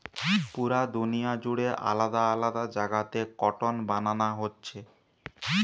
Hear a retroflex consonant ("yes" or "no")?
yes